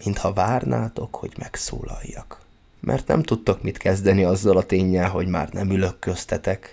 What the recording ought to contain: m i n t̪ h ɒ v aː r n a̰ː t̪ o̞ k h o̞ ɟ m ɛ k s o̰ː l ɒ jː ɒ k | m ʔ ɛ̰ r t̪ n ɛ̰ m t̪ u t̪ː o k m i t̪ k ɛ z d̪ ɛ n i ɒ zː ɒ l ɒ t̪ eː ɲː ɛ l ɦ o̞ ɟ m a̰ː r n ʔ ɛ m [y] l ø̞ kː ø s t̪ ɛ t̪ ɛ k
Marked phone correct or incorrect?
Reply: correct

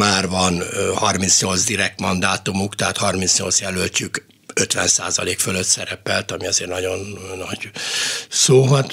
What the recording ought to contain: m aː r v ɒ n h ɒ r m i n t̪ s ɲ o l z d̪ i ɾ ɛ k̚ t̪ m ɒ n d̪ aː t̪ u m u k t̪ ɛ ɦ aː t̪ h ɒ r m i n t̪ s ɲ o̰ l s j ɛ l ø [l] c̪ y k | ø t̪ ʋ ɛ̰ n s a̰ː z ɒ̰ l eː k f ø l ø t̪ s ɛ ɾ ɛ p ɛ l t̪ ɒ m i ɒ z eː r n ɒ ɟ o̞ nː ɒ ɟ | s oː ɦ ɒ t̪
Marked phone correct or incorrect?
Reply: correct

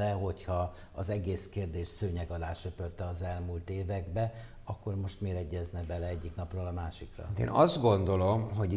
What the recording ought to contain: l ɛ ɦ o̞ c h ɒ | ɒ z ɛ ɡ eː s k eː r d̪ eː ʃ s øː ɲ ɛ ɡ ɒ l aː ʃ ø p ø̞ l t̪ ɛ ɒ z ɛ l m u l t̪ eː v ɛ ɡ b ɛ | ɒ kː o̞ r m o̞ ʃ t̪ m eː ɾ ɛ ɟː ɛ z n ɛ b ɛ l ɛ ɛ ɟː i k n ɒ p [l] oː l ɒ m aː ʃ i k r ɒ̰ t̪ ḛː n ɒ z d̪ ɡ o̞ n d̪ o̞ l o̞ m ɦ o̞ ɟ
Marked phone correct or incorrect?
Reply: incorrect: r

